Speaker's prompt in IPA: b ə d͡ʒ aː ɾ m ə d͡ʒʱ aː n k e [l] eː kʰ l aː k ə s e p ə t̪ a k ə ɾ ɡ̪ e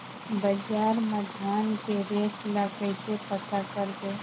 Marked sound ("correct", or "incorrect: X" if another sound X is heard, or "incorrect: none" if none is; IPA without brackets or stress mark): incorrect: ɾ